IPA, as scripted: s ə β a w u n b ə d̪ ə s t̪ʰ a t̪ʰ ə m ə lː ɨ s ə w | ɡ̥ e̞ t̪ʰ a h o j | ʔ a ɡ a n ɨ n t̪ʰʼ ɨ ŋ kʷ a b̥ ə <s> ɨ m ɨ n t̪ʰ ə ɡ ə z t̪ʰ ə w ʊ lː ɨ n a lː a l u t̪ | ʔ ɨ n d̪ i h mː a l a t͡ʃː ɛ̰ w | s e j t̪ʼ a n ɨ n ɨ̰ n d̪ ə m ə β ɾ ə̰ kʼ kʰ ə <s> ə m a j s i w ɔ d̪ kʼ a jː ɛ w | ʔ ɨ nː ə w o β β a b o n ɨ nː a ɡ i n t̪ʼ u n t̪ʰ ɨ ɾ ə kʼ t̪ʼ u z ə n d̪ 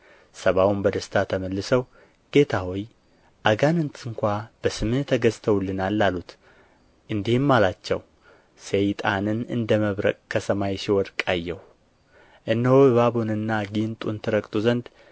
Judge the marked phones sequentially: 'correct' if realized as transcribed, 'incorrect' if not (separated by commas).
correct, correct